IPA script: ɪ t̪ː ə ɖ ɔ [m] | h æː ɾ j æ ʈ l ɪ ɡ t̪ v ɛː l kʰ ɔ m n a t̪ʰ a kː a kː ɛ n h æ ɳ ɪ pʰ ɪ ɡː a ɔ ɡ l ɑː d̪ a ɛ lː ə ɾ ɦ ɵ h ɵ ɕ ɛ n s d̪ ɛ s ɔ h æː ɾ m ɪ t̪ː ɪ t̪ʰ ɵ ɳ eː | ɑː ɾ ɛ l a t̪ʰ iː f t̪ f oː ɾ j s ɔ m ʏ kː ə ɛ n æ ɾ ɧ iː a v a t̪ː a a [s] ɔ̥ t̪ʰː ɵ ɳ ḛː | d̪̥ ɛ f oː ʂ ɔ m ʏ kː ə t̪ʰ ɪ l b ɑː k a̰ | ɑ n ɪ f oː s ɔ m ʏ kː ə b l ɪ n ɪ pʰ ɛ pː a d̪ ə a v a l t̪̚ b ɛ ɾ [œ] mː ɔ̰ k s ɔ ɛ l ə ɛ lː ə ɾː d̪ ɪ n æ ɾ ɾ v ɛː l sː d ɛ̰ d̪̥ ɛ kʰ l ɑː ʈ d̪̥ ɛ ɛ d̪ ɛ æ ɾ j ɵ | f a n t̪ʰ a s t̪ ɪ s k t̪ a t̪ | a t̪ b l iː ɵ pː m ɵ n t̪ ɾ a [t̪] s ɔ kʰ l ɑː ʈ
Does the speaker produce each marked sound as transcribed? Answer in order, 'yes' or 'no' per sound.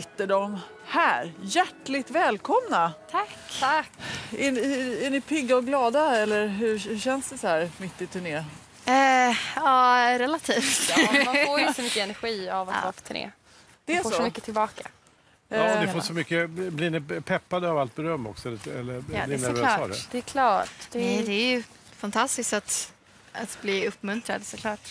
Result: yes, no, yes, no

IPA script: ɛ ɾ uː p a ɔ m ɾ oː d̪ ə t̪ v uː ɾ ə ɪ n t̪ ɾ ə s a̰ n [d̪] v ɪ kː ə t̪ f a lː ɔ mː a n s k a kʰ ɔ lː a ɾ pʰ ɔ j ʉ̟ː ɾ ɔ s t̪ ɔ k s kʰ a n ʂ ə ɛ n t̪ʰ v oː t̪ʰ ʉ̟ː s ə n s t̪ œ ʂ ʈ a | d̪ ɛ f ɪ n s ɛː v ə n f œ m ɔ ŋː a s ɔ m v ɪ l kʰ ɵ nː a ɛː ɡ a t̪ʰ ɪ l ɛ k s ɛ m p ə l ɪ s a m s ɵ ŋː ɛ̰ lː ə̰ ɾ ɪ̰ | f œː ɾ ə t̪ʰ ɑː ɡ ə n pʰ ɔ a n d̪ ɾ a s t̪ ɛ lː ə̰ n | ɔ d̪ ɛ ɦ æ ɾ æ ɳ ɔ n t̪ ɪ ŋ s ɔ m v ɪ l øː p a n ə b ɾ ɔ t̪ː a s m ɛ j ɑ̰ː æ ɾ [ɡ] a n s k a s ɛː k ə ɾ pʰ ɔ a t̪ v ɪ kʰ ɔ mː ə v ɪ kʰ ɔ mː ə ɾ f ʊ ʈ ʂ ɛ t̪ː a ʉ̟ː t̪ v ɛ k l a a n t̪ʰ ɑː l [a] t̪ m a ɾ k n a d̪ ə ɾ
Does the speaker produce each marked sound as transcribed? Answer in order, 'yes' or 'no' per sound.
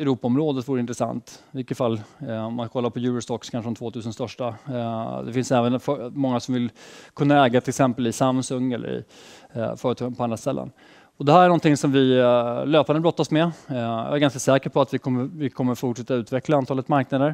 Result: no, yes, no

